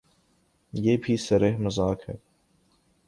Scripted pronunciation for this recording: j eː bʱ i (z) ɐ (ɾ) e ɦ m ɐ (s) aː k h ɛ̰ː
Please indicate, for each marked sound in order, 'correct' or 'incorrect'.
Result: incorrect: s, correct, incorrect: z

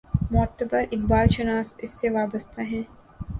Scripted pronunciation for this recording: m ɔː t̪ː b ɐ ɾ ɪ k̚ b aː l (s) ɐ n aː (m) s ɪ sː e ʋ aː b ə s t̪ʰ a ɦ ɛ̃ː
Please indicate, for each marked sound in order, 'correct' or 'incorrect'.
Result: incorrect: ʃ, incorrect: none

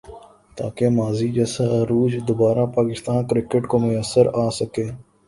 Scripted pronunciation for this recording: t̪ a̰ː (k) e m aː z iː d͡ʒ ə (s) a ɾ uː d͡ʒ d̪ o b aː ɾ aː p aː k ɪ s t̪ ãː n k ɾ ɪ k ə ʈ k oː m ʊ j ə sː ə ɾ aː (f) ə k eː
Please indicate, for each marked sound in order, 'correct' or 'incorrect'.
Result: correct, correct, incorrect: s

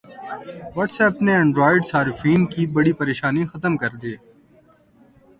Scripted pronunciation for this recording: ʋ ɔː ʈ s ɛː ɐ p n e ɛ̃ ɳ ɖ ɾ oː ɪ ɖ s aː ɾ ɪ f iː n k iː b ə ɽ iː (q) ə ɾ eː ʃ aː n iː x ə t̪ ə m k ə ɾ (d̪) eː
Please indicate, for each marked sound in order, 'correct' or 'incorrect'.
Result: incorrect: p, correct

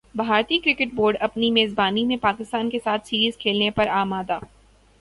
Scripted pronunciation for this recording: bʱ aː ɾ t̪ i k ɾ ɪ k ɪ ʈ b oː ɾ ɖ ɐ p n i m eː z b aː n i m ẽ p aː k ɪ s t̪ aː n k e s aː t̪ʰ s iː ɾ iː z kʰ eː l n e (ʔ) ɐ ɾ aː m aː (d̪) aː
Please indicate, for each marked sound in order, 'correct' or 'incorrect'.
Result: incorrect: p, correct

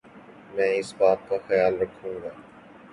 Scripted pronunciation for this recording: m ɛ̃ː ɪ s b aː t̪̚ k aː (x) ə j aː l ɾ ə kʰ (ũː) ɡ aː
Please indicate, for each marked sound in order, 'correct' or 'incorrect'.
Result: correct, correct

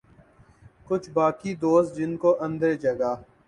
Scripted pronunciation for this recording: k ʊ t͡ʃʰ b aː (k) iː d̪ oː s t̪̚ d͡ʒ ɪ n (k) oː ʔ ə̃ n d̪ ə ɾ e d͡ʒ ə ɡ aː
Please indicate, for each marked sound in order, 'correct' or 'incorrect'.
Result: correct, correct

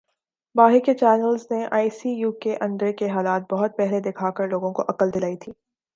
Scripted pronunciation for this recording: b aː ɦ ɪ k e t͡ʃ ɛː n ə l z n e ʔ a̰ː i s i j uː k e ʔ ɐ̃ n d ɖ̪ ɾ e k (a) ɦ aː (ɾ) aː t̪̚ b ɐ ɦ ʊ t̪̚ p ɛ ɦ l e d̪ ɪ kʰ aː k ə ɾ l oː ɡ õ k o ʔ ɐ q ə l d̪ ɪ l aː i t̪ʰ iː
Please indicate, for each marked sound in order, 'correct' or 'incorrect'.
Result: incorrect: e, incorrect: l

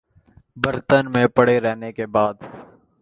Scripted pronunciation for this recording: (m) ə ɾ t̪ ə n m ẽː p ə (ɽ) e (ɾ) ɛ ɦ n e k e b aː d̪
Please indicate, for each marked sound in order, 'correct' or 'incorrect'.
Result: incorrect: b, correct, correct

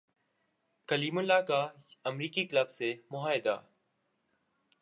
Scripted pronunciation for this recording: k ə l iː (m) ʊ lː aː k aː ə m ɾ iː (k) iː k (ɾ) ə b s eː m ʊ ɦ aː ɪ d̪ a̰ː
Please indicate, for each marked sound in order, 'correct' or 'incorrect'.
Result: correct, correct, incorrect: l

